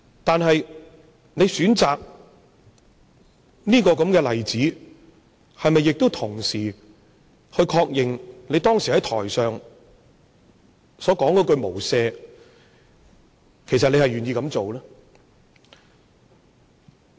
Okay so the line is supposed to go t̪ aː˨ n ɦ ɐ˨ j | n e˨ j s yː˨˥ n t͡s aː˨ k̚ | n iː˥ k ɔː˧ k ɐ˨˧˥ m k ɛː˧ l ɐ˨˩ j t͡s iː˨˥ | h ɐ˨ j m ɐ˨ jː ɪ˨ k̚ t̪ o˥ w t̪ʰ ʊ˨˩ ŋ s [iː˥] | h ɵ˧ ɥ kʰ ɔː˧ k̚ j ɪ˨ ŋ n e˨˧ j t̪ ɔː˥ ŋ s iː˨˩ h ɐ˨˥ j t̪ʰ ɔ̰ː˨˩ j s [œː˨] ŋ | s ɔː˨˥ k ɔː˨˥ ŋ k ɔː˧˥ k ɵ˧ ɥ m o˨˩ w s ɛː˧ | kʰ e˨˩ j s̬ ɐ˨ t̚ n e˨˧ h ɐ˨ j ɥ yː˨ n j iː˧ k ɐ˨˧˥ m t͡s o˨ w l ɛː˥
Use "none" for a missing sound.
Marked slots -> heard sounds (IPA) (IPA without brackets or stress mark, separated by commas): iː˨˩, œː˨